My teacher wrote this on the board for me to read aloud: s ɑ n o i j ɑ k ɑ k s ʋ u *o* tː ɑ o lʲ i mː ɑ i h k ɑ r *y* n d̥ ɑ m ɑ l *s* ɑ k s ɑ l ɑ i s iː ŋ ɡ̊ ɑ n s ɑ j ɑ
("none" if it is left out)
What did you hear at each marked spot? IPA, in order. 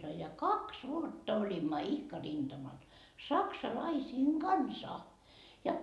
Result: o, i, s

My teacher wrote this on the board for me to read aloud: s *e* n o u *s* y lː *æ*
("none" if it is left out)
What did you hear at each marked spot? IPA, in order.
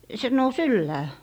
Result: e, s, æː

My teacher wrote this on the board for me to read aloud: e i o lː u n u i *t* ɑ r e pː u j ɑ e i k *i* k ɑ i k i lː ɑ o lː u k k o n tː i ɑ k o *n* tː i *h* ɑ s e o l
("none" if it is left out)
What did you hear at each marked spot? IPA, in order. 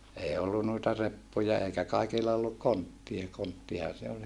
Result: t, æ, n, h

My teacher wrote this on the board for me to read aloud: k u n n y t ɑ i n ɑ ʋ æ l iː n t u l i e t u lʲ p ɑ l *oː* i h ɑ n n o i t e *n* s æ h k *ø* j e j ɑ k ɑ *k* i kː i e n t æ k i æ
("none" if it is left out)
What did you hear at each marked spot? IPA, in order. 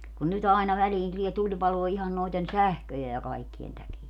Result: oː, n, ø, none

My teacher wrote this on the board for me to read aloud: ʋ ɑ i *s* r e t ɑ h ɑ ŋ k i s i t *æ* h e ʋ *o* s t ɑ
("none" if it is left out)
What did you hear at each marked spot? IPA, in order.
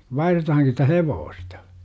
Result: h, æ, oː

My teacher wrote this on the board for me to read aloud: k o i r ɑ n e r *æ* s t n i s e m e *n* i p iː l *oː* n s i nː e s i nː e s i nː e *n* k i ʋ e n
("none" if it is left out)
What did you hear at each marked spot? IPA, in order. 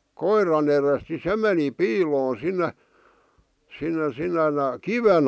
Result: e, n, oː, n

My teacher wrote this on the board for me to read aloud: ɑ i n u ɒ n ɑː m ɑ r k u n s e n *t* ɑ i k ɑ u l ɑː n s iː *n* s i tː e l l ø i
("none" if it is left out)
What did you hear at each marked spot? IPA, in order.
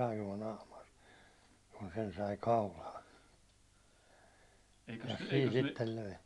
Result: s, n

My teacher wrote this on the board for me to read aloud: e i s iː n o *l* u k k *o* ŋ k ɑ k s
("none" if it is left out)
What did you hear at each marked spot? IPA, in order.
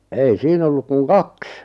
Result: lː, u

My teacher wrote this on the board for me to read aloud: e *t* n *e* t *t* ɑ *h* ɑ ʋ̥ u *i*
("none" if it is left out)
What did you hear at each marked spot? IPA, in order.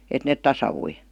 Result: t, e, t, s, i

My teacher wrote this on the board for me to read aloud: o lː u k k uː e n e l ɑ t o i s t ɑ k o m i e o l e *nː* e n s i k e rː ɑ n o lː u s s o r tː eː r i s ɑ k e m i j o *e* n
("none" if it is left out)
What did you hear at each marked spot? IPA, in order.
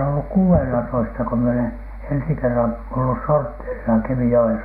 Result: n, e

